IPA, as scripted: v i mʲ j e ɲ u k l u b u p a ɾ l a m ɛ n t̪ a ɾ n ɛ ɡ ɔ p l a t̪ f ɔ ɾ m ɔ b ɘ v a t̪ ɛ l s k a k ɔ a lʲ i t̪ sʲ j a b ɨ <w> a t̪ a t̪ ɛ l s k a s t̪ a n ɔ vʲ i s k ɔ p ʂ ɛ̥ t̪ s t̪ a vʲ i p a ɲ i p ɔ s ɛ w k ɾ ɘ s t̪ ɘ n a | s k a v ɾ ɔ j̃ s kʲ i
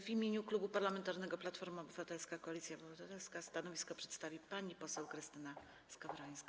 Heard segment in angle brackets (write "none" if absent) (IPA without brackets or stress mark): v